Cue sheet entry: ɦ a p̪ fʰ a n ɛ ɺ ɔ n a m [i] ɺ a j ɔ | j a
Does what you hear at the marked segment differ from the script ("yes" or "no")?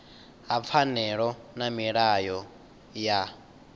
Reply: no